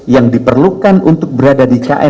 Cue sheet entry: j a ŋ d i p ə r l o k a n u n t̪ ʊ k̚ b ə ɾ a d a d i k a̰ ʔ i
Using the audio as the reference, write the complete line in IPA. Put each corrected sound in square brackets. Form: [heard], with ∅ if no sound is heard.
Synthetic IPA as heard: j a ŋ d i p ə r l [u] k a n u n t̪ ʊ k̚ b ə ɾ a d a d i k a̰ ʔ [ɛ]